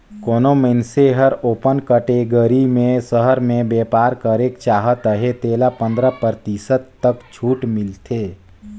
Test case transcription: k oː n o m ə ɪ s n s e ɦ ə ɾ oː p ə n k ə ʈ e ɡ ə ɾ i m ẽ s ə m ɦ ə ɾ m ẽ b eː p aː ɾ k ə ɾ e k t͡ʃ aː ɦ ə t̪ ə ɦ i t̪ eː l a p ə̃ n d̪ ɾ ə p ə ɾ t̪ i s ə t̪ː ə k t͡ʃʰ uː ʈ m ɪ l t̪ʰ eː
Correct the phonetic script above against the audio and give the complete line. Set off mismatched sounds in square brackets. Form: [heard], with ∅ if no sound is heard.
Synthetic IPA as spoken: k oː n o m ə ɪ [∅] n s e ɦ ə ɾ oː p ə n k ə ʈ e ɡ ə ɾ i m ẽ s ə [∅] ɦ ə ɾ m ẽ b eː p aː ɾ k ə ɾ e k t͡ʃ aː ɦ ə t̪ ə ɦ [e] t̪ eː l a p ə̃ n d̪ ɾ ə p ə ɾ t̪ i s ə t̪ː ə k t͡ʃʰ uː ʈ m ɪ l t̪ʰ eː